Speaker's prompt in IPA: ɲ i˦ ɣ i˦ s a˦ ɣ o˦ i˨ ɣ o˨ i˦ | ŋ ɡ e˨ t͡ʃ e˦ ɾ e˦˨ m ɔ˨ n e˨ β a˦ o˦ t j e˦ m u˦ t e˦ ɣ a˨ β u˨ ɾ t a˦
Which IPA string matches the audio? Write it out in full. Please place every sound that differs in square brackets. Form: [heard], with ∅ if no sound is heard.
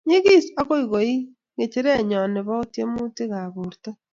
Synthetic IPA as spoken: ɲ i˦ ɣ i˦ s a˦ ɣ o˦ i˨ ɣ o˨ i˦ | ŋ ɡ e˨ t͡ʃ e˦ ɾ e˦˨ [ɲ] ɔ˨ n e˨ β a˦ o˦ t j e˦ m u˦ t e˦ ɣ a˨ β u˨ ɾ t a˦